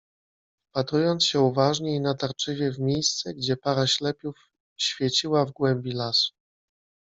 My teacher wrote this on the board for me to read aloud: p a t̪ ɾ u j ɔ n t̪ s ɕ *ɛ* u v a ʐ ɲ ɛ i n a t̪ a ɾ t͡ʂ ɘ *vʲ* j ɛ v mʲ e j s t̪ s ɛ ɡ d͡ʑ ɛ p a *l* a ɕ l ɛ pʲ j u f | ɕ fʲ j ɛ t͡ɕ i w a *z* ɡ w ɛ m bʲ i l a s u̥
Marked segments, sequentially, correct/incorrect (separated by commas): correct, correct, incorrect, incorrect